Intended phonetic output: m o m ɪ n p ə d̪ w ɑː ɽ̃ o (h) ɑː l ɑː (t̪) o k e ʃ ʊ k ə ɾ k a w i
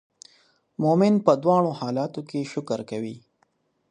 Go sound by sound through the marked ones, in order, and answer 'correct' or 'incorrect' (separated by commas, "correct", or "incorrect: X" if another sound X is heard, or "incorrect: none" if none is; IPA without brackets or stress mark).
correct, correct